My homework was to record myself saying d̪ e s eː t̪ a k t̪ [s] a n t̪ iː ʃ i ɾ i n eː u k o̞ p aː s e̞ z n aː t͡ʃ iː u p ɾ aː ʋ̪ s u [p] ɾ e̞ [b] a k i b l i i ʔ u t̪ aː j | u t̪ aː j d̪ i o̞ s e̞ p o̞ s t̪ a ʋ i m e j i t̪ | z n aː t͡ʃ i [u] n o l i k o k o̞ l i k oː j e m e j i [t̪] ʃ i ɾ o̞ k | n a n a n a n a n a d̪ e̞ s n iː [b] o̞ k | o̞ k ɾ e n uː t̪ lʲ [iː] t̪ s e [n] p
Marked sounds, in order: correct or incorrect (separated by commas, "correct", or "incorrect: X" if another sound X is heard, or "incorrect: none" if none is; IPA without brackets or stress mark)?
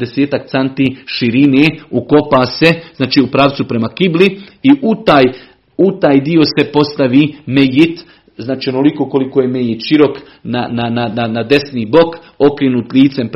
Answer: correct, correct, incorrect: m, incorrect: o, correct, correct, correct, incorrect: m